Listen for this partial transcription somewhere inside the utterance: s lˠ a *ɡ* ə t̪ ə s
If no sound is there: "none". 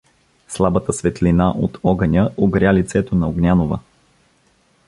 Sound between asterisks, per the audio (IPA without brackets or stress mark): b